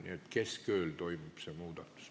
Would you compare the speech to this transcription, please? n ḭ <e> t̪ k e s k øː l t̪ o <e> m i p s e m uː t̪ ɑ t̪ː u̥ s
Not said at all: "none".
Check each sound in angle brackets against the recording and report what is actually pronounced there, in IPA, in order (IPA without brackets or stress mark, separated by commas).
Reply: e, i